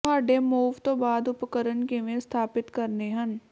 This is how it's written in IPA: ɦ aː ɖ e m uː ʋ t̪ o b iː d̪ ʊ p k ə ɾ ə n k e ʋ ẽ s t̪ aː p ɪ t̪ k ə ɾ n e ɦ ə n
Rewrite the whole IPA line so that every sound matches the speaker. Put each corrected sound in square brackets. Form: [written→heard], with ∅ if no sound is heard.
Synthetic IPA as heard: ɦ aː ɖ e m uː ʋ t̪ o b [iː→aː] d̪ ʊ p k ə ɾ ə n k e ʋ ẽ s [t̪→t̪ʰ] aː p ɪ t̪ k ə ɾ n e ɦ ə n